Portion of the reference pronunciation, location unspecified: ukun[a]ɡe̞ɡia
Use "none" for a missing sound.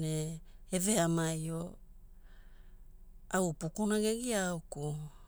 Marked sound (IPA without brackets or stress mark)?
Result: a